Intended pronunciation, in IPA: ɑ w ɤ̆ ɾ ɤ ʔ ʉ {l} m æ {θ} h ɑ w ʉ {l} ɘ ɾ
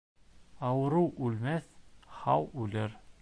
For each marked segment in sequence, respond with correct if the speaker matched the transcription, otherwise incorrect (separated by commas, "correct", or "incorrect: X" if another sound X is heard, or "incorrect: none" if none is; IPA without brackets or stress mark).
correct, correct, correct